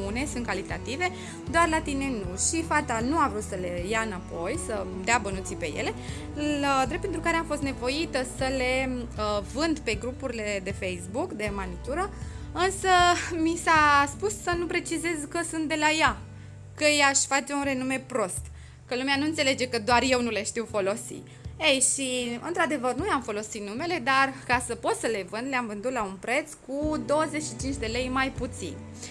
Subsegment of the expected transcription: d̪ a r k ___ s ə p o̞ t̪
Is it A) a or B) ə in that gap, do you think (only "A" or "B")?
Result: A